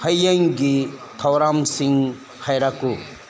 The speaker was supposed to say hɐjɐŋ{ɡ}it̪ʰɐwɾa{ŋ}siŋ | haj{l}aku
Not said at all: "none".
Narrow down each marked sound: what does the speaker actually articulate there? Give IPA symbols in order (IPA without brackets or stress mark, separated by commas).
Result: ɡ, m, ɾ